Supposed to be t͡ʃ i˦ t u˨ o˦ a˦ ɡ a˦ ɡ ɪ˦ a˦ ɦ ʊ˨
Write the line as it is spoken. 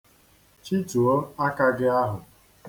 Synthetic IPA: t͡ʃ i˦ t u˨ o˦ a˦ k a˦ ɡ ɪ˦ a˦ ɦ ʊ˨